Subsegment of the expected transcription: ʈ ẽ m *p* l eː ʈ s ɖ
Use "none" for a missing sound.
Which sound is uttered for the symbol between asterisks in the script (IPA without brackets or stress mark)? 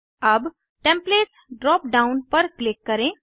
p